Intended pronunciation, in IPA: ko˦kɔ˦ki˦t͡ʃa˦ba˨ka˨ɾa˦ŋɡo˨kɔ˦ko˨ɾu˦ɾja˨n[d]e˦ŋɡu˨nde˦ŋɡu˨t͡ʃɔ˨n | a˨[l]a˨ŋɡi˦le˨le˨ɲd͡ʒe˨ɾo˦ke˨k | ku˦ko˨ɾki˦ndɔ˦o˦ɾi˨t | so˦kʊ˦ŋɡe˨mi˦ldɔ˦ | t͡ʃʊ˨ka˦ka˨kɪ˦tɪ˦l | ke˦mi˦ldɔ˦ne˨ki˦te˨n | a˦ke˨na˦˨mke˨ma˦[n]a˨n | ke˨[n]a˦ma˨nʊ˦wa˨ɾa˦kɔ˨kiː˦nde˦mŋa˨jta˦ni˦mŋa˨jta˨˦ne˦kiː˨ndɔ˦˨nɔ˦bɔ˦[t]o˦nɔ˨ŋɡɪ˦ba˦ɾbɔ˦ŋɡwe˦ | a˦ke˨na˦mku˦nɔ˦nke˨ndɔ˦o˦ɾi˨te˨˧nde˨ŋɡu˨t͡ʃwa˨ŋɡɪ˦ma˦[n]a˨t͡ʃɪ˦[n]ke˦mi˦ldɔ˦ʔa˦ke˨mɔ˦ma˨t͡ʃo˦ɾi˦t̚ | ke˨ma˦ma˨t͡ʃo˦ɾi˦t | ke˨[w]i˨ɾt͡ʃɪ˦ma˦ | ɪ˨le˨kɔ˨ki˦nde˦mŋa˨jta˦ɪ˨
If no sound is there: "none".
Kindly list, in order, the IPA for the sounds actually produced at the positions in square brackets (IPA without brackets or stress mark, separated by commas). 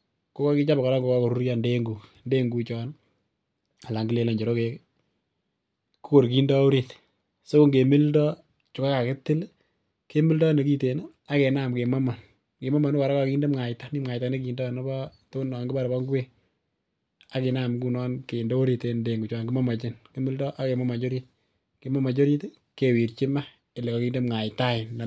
d, l, m, m, t, m, n, w